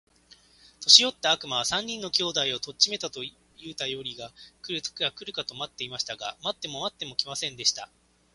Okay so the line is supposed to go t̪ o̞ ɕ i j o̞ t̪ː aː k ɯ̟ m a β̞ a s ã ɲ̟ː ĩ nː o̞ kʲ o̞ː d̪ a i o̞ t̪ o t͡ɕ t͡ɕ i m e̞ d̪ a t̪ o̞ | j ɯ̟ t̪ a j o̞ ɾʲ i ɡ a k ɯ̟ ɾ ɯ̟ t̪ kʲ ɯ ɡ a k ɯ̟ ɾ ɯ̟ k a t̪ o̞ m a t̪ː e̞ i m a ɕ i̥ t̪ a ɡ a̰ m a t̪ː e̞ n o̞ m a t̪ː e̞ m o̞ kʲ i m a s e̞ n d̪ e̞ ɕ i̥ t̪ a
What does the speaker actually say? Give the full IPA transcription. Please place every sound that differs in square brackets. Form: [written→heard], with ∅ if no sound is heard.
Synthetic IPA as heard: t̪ o̞ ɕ i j o̞ t̪ː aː k ɯ̟ m a β̞ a s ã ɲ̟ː ĩ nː o̞ kʲ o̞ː d̪ a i o̞ t̪ o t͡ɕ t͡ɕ i m e̞ [d̪→t̪] a t̪ o̞ | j [ɯ̟→ɯ̟ː] t̪ a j o̞ ɾʲ i ɡ a k ɯ̟ ɾ ɯ̟ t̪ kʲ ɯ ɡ a k ɯ̟ ɾ ɯ̟ k a t̪ o̞ m a t̪ː e̞ i m a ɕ i̥ t̪ a ɡ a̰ m a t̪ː e̞ [n→m] o̞ m a t̪ː e̞ m o̞ kʲ i m a s [e̞→ẽ̞] n d̪ e̞ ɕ i̥ t̪ a